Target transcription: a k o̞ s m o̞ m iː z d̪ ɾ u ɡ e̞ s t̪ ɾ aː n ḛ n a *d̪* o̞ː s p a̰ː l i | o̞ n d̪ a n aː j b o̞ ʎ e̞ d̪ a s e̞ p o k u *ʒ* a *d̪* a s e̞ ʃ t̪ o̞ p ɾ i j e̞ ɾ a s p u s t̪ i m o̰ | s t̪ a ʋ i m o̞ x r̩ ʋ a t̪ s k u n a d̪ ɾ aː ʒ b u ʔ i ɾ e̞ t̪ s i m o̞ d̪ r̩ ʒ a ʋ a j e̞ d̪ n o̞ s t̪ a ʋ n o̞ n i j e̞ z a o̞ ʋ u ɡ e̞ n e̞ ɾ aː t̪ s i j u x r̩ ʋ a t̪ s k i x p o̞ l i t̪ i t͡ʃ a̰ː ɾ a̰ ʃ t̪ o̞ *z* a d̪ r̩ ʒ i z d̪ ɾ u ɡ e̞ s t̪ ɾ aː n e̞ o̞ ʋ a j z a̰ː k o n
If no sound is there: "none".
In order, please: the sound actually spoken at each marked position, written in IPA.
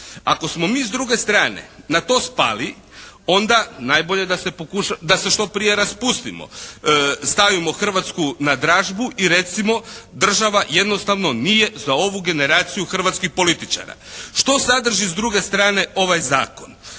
t̪, ʃ, d̪, s

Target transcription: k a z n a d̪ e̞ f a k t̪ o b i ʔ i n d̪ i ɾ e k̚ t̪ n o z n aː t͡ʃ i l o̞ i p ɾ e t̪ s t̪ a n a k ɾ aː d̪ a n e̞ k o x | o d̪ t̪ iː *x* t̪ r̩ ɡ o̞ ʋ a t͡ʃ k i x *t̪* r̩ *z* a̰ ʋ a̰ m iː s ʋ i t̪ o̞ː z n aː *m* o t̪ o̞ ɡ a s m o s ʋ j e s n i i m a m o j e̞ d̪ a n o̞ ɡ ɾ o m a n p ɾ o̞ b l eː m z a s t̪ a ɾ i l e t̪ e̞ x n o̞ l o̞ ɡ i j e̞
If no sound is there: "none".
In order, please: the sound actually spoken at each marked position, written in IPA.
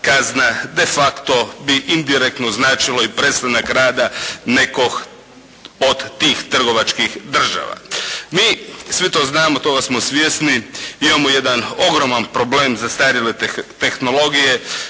x, d̪, ʒ, m

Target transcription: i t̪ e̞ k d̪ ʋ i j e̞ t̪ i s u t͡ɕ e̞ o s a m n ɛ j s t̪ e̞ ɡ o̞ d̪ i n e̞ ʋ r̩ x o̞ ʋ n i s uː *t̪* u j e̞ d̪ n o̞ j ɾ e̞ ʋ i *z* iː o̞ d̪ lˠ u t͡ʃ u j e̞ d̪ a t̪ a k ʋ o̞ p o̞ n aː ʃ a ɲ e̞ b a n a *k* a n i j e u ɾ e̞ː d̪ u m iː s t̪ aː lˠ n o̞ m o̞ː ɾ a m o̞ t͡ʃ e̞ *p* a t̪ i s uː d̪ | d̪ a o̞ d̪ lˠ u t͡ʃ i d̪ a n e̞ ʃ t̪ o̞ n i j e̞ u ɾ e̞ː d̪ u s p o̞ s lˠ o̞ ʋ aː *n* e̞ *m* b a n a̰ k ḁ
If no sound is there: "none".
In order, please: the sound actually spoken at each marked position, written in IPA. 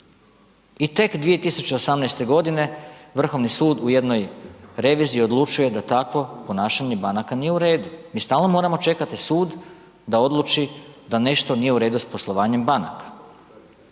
d̪, z, k, k, ɲ, m

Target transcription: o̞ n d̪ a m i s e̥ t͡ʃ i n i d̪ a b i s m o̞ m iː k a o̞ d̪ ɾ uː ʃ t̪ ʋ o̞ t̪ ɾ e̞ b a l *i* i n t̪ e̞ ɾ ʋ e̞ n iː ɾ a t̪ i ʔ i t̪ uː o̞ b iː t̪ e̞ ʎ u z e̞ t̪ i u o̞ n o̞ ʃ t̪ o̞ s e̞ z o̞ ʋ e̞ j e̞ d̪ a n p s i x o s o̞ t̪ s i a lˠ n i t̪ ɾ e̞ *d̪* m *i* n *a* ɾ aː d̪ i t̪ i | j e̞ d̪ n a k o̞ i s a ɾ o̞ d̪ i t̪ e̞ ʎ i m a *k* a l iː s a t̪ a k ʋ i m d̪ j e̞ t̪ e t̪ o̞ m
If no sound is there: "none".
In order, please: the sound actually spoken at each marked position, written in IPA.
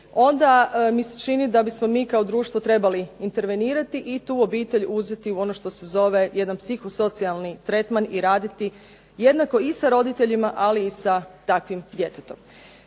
i, t̪, a, i, ʔ

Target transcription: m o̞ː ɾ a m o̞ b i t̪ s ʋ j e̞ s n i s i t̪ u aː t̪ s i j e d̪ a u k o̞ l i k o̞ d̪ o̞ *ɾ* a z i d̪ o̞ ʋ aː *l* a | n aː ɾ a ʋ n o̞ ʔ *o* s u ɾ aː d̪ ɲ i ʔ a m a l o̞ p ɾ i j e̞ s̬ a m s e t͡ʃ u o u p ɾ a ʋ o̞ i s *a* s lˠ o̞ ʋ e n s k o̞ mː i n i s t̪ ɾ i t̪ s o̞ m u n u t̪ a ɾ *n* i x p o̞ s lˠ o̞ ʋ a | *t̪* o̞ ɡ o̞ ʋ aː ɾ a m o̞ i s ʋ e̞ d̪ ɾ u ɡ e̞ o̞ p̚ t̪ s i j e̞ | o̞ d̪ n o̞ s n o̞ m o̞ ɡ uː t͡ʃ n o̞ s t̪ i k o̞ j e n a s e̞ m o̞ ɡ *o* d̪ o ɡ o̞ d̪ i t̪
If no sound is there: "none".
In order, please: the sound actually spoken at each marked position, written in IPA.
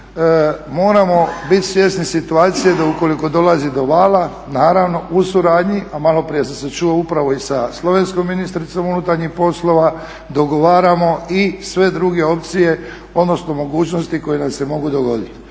l, l, u, a, ɲ, d̪, u

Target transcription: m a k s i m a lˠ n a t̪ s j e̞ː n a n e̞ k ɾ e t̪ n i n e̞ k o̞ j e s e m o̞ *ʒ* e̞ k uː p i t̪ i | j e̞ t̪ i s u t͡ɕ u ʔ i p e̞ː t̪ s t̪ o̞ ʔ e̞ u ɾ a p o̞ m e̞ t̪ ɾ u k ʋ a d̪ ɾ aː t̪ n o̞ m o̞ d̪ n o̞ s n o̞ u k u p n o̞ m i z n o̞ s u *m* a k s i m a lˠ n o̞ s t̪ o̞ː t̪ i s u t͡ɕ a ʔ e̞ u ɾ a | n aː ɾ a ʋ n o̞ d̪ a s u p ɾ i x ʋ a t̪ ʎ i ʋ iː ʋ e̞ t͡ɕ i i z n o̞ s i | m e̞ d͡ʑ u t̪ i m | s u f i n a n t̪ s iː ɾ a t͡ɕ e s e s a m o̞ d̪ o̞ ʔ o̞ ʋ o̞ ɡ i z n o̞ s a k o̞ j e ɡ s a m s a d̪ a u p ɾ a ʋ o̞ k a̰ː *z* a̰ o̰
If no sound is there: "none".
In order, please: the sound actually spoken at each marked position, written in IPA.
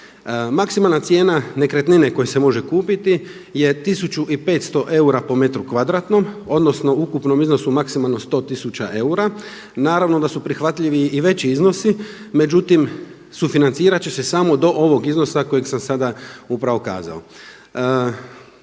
ʒ, m, z

